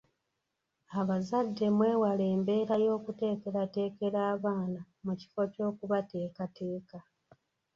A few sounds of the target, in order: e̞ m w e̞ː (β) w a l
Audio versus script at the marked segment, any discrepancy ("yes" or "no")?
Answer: yes